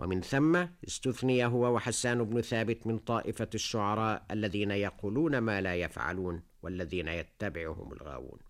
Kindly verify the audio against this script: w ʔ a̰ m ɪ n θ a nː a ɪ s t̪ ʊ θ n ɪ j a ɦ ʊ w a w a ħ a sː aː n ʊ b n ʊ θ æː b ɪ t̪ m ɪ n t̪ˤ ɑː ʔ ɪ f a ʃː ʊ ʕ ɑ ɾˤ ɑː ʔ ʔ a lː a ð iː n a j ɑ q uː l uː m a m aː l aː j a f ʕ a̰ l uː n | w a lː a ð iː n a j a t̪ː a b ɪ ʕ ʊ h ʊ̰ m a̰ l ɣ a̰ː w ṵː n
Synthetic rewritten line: w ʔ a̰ m ɪ n θ a mː a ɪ s t̪ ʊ θ n ɪ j a ɦ ʊ w a w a ħ a sː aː n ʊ b n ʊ θ aː b ɪ t̪ m ɪ n t̪ˤ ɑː ʔ ɪ f a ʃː ʊ ʕ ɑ ɾˤ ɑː ʔ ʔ a lː a ð iː n a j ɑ q uː l uː n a m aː l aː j a f ʕ a̰ l uː n | w a lː a ð iː n a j a t̪ː a b ɪ ʕ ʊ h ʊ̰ m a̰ l ɣ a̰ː w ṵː n